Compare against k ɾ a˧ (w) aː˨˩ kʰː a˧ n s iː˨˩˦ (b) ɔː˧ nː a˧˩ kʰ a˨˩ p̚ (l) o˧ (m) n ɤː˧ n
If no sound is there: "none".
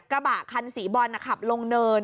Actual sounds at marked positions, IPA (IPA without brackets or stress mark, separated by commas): b, b, l, ŋ